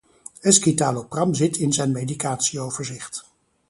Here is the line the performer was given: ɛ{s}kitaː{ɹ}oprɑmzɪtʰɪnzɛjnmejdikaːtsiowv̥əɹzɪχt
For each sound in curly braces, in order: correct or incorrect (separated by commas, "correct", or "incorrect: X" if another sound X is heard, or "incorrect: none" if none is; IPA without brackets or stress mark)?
correct, incorrect: l